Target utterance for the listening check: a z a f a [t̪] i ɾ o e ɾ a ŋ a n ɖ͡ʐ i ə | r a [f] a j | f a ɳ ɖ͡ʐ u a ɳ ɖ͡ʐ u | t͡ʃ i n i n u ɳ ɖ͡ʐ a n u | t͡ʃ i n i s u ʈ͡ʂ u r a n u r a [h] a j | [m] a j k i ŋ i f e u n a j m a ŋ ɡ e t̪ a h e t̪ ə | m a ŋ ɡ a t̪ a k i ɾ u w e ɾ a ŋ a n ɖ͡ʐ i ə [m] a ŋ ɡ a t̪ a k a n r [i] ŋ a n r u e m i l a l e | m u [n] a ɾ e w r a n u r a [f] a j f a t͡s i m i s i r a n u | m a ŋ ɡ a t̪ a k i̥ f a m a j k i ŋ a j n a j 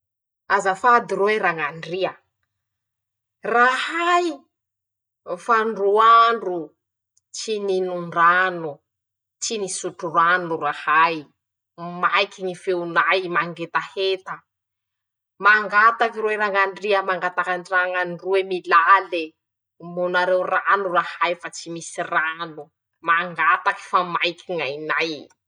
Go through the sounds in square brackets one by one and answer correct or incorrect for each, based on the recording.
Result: incorrect: d̪, incorrect: h, correct, correct, correct, incorrect: a, correct, incorrect: h

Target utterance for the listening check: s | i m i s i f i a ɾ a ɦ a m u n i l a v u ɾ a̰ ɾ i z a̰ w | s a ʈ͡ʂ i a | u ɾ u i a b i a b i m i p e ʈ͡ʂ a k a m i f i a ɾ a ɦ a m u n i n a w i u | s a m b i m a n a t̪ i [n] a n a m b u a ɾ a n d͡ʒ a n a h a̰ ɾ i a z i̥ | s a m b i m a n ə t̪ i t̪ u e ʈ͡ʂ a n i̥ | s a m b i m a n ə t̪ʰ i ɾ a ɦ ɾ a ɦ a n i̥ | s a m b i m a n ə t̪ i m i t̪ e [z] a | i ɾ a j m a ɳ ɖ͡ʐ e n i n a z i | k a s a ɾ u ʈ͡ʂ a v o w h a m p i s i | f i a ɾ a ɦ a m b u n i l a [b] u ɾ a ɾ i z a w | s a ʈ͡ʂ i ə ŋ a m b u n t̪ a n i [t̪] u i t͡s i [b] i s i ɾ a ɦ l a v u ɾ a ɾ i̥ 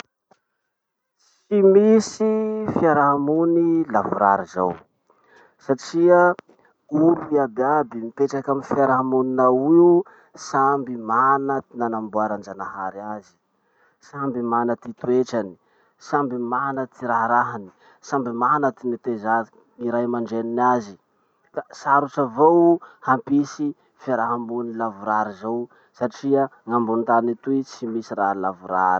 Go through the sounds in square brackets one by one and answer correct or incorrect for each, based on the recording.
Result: correct, correct, incorrect: v, correct, incorrect: m

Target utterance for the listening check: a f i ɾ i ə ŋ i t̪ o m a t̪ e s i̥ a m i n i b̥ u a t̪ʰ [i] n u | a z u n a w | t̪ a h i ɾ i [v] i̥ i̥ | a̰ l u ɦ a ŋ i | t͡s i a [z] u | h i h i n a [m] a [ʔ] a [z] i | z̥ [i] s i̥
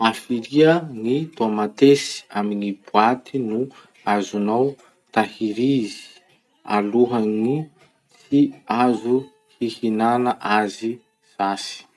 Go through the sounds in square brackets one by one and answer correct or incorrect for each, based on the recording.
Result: correct, incorrect: z, correct, incorrect: n, correct, correct, incorrect: a

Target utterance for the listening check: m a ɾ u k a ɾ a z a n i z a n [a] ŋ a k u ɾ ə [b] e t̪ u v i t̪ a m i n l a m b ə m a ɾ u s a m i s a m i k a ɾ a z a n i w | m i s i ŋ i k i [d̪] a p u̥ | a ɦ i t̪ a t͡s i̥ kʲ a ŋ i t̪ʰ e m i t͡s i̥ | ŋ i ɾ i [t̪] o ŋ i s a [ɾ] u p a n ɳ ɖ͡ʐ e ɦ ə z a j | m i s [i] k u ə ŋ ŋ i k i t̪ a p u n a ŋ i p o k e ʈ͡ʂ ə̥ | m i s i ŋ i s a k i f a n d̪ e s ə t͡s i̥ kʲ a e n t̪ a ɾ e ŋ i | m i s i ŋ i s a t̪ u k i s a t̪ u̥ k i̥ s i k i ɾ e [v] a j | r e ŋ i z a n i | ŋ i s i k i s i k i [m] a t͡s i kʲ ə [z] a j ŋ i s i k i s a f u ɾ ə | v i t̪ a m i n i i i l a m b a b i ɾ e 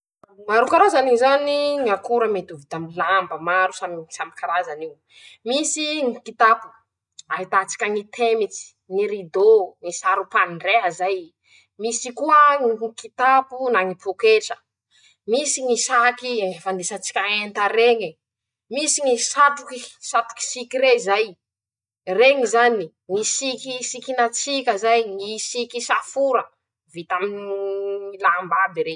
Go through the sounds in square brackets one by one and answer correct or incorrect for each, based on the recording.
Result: incorrect: i, incorrect: m, incorrect: t̪, incorrect: d̪, correct, correct, incorrect: z, incorrect: n, correct

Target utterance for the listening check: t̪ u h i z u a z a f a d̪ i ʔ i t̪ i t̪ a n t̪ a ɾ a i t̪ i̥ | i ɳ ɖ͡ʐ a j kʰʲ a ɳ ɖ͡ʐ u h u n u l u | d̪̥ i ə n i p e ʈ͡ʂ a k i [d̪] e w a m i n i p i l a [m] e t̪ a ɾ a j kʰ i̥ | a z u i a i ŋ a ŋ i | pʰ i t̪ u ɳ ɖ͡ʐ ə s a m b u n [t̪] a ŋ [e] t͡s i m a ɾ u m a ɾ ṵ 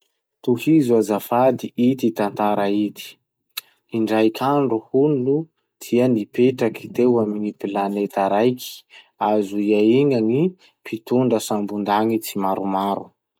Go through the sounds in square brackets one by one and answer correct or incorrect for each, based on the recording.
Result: incorrect: t̪, incorrect: n, incorrect: d̪, incorrect: i

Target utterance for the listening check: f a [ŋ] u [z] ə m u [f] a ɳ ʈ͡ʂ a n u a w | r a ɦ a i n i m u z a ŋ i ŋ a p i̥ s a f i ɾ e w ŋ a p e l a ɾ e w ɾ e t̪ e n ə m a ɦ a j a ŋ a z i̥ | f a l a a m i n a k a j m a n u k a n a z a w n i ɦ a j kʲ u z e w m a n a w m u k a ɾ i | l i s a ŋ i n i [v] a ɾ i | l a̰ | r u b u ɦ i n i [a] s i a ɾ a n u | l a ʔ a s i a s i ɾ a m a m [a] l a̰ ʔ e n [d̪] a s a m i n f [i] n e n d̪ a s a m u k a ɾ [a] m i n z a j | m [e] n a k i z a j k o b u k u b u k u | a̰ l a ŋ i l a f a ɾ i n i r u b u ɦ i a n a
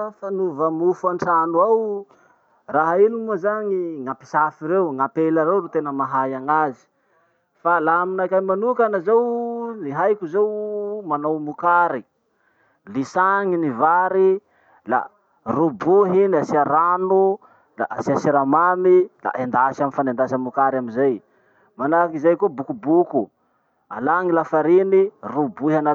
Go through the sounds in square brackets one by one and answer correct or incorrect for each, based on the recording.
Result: incorrect: n, incorrect: v, correct, correct, correct, incorrect: i, correct, incorrect: a, correct, incorrect: a

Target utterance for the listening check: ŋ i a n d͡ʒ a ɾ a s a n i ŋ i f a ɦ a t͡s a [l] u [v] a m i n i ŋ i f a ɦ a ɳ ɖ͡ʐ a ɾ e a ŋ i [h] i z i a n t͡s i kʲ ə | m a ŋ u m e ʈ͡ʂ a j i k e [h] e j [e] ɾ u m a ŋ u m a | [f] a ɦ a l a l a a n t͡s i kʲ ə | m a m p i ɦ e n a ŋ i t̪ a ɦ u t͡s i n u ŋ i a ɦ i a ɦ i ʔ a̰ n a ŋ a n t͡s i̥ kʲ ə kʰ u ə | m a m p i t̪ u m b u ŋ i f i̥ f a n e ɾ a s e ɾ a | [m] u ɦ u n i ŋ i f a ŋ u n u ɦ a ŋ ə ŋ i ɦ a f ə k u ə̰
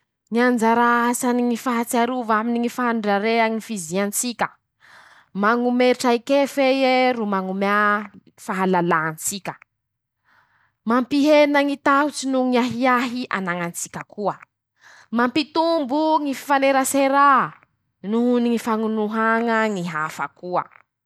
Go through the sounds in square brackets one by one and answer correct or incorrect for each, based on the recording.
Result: incorrect: ɾ, correct, incorrect: f, incorrect: f, correct, correct, incorrect: n

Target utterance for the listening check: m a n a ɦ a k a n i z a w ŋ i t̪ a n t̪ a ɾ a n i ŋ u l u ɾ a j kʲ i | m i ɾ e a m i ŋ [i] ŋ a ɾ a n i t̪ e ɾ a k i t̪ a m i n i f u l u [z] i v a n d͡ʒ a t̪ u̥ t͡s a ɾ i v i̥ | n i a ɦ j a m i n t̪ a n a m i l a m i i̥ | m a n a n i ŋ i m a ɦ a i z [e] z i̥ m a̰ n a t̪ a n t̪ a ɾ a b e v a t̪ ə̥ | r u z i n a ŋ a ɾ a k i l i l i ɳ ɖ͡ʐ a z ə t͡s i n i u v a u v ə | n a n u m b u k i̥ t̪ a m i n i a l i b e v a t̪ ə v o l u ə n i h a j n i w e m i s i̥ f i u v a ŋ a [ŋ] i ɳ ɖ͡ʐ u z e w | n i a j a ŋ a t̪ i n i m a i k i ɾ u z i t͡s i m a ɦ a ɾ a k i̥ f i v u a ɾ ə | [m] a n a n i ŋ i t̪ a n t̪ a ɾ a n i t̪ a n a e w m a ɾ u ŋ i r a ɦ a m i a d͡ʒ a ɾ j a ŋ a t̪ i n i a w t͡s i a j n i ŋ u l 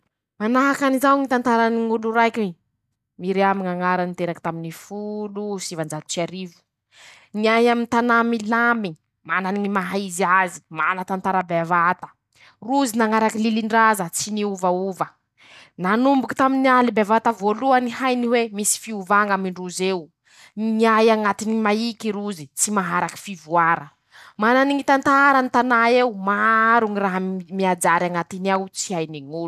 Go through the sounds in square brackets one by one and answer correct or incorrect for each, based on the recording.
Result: incorrect: a, incorrect: s, incorrect: a, incorrect: m, correct

